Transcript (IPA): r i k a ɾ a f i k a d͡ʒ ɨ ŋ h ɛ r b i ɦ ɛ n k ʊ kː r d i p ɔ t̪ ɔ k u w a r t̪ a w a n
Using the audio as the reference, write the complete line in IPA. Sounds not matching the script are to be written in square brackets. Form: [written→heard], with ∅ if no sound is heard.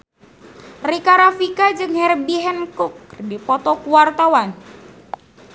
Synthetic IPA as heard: r i k a ɾ a f i k a d͡ʒ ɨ ŋ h ɛ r b i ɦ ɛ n k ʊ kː r d i p ɔ t̪ ɔ k u w a r t̪ a w a n